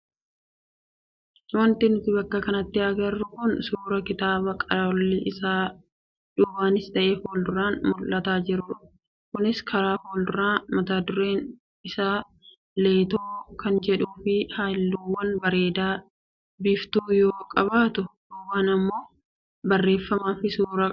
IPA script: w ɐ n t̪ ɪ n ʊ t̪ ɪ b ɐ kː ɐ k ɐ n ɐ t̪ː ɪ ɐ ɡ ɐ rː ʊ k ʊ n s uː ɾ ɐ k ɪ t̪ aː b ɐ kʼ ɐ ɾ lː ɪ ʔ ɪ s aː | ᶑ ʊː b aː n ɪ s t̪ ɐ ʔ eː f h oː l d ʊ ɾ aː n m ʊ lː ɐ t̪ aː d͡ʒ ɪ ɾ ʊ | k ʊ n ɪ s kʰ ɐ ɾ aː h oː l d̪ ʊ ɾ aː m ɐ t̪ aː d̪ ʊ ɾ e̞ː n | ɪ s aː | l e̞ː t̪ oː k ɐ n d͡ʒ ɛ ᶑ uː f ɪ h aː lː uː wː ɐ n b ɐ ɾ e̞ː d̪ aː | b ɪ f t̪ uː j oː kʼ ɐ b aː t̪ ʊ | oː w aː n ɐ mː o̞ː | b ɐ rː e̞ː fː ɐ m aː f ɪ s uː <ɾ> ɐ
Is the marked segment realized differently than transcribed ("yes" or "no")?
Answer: no